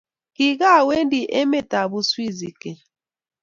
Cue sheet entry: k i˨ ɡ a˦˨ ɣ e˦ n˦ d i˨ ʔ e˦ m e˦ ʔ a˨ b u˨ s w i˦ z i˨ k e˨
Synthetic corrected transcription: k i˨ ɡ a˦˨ w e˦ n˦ d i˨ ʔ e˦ m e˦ t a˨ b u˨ s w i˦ z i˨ k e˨

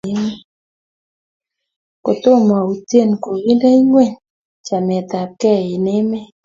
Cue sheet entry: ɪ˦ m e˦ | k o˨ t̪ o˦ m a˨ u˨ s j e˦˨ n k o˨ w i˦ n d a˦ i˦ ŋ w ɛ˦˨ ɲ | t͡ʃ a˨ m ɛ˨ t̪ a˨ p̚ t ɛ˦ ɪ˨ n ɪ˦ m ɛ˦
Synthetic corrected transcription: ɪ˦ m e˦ | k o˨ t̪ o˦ m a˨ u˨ t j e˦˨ n k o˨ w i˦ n d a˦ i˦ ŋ w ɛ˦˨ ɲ | t͡ʃ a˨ m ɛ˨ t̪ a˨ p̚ k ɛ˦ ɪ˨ n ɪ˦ m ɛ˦

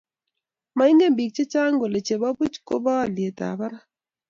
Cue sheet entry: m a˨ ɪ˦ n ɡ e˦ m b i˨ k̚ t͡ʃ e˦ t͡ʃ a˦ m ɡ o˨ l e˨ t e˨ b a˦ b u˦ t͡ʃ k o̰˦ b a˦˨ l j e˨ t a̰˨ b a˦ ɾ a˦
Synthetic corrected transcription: m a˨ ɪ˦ ŋ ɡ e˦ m b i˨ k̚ t͡ʃ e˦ t͡ʃ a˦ ŋ ɡ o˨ l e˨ t͡ʃ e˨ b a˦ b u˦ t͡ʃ k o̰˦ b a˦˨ l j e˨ t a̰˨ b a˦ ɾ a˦

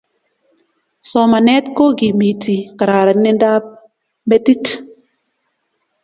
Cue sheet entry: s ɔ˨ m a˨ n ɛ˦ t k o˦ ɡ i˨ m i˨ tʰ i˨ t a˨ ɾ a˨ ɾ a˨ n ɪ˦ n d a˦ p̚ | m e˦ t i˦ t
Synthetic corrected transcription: s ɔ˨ m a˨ n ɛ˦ t k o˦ ɡ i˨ m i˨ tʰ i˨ k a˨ ɾ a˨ ɾ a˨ n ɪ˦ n d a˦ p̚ | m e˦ t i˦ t

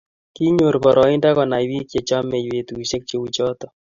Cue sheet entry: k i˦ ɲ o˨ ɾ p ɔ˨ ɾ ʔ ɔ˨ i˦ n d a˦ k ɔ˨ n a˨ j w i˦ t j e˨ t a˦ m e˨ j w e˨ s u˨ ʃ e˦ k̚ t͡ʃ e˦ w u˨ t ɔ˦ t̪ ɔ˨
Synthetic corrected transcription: k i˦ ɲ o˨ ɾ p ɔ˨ ɾ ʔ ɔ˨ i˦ n d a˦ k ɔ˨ n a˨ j w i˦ k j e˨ t͡ʃ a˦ m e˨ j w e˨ t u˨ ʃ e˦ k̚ t͡ʃ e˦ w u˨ t͡ʃ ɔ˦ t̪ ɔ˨

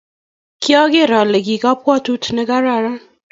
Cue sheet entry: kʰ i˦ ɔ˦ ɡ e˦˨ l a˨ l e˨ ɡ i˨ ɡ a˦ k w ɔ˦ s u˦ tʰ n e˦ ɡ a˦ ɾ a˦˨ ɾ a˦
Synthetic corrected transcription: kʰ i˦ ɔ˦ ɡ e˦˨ ɾ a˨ l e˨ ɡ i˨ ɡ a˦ p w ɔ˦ t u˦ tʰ n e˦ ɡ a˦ ɾ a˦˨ ɾ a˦

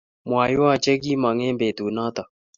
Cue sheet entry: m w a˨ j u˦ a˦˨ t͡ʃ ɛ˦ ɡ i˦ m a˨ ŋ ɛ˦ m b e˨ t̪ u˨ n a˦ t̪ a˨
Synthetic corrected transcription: m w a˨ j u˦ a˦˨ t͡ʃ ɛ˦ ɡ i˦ m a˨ ŋ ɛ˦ m b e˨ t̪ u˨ n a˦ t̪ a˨

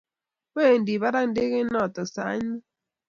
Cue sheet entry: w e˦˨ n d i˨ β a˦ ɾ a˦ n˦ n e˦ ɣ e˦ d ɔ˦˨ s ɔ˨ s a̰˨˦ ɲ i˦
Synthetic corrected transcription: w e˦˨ n d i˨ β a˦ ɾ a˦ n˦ d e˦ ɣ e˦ n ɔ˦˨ t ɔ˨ s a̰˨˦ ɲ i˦

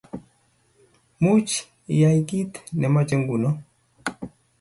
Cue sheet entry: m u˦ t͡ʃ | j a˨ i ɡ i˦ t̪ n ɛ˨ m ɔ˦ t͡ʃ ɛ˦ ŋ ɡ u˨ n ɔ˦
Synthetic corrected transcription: m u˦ t͡ʃ | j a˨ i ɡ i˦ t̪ n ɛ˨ m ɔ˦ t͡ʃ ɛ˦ ŋ ɡ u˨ n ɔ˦

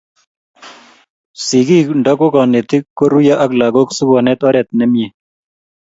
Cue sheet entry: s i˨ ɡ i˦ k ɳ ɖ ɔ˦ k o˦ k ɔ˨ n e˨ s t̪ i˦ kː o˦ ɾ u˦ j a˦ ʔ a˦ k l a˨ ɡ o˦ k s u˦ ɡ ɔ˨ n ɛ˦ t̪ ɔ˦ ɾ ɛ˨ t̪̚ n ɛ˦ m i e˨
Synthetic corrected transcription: s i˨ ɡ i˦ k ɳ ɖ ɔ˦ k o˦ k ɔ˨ n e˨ t̪ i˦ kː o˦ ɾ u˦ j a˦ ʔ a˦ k l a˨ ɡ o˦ k s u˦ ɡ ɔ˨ n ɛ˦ t̪ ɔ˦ ɾ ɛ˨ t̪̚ n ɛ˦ m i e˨

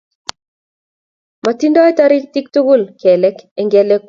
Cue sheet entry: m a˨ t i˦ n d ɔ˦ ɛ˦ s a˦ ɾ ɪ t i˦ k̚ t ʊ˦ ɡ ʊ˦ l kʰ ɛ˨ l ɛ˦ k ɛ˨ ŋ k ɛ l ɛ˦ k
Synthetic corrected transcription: m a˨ t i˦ n d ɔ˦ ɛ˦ t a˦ ɾ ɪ t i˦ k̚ t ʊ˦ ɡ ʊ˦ l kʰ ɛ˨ l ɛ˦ k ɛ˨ ŋ ɡ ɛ l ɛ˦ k

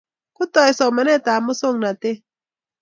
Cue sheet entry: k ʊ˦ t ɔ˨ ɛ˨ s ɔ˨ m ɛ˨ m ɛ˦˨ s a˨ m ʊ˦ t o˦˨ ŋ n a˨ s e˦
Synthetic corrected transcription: k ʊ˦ t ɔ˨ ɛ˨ s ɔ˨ m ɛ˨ n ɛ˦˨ t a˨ m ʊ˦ s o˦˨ ŋ n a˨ t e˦

